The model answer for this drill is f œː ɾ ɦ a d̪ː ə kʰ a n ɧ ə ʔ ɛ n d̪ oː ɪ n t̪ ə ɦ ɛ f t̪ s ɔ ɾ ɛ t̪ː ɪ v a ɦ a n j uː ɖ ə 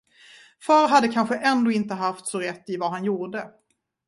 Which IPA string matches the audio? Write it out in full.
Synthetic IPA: f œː ɾ ɦ a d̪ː ə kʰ a n ɧ ə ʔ ɛ n d̪ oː ɪ n t̪ ə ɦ a f t̪ s ɔ ɾ ɛ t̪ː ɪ v a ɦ a n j uː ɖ ə